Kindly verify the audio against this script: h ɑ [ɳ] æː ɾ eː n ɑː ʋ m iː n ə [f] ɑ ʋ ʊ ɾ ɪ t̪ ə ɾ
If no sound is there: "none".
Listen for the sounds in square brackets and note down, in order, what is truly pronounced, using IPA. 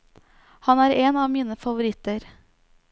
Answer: n, f

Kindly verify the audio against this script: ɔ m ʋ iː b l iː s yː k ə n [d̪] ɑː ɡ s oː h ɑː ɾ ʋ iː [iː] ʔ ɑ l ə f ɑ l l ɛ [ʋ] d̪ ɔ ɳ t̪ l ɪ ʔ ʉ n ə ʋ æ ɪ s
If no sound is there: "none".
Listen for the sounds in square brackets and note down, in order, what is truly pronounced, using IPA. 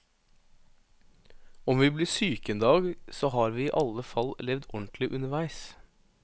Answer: d̪, iː, ʋ

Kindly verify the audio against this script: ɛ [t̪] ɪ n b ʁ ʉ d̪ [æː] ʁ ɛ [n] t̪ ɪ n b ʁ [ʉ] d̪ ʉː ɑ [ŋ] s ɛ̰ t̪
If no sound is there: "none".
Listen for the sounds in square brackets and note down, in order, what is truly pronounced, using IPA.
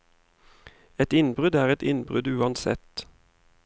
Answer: t̪, æː, none, ʉ, n

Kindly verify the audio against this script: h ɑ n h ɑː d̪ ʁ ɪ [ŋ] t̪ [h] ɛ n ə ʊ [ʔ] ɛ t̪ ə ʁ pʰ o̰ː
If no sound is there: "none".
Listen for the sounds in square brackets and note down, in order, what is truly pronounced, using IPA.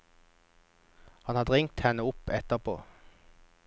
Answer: ŋ, h, p

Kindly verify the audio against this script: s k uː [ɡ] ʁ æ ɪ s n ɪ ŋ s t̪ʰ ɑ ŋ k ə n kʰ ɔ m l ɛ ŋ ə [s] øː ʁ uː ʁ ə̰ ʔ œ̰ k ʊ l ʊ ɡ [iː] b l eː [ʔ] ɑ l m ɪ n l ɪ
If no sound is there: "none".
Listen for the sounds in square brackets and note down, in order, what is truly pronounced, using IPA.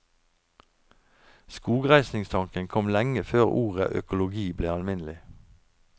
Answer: ɡ, f, iː, none

